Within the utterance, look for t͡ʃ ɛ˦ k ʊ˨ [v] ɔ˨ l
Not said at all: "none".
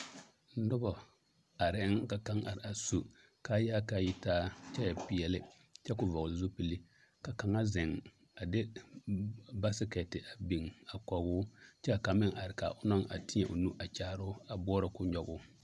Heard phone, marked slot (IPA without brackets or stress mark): v